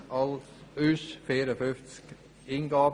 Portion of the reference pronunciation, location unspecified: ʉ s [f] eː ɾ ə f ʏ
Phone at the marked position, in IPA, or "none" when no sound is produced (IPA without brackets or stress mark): f